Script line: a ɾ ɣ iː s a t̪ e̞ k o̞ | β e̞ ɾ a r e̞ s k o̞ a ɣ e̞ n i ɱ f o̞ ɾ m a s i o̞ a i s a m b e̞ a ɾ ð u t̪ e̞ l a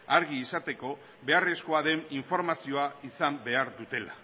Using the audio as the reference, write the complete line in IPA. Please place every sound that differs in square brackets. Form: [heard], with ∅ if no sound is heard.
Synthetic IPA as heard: a ɾ ɣ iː s a t̪ e̞ k o̞ | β e̞ [∅] a r e̞ s k o̞ a [ð] e̞ n i ɱ f o̞ ɾ m a s i o̞ a i s a m b e̞ a ɾ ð u t̪ e̞ l a